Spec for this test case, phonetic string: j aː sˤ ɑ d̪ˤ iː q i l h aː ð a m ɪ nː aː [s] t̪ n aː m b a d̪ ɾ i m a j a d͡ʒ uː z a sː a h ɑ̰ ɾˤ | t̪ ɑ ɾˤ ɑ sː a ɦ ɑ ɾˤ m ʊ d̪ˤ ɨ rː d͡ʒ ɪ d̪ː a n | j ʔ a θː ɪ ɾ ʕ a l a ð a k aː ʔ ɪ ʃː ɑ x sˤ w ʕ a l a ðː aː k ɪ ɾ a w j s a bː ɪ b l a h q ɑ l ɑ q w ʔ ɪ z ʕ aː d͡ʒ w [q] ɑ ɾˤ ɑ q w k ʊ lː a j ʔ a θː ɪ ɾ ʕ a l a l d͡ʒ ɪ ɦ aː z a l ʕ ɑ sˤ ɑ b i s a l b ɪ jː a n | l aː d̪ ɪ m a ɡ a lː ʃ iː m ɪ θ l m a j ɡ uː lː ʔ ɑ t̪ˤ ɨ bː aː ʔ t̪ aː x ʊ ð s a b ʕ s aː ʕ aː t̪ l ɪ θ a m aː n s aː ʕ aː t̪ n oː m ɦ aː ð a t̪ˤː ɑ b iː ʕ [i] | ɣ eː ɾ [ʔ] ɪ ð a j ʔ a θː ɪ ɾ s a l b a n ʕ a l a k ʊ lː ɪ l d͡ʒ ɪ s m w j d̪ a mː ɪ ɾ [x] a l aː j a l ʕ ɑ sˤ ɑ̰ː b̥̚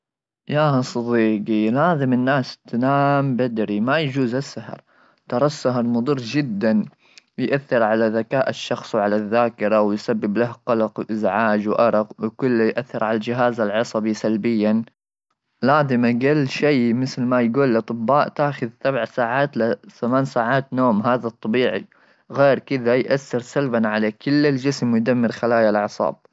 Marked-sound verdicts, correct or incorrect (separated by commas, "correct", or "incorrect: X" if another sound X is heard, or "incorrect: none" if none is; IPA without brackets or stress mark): correct, incorrect: ʔ, correct, incorrect: k, correct